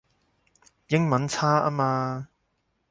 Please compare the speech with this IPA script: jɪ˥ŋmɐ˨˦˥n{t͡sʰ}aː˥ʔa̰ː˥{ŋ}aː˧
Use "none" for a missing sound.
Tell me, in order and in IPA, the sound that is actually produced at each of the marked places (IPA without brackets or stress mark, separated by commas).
t͡sʰ, m